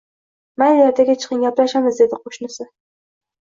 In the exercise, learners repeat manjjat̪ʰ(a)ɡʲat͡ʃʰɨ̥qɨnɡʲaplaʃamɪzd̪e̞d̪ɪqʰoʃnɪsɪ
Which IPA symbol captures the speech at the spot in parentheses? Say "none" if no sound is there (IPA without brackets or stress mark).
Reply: a